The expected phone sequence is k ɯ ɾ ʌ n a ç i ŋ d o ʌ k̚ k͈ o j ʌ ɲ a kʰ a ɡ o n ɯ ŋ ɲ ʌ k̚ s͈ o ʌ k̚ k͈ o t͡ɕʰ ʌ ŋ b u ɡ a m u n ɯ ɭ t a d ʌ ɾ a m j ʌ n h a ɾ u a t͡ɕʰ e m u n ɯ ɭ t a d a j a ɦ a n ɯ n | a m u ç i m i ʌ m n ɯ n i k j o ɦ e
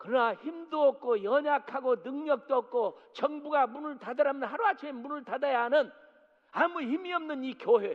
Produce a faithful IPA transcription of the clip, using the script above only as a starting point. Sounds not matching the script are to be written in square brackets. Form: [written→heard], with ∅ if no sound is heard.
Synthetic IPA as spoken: k ɯ ɾ ʌ n a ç i [ŋ→m] d o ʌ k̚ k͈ o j ʌ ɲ a kʰ a ɡ o n ɯ ŋ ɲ ʌ k̚ [s͈→t͈] o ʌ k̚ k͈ o [t͡ɕʰ→t͡ɕ] ʌ ŋ b u ɡ a m u n ɯ ɭ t a d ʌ ɾ a m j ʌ n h a ɾ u a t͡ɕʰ e m u n ɯ ɭ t a d a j a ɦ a n ɯ n | a m u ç i m i ʌ m n ɯ n i k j o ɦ e